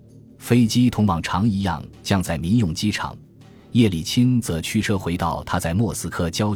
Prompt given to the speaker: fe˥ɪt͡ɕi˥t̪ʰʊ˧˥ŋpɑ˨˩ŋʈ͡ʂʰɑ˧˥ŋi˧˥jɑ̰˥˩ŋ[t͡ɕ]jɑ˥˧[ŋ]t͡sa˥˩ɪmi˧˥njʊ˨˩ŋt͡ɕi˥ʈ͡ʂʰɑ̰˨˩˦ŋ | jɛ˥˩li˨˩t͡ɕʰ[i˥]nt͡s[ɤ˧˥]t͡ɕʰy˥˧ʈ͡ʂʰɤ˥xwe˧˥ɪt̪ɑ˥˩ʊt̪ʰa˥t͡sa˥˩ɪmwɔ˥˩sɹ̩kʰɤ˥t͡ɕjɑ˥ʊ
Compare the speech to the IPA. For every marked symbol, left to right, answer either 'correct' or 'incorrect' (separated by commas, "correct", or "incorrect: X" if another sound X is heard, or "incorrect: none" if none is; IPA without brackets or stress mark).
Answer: correct, correct, correct, correct